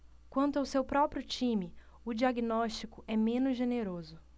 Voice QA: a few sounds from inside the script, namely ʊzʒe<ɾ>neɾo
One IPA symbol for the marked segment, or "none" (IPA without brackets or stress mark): none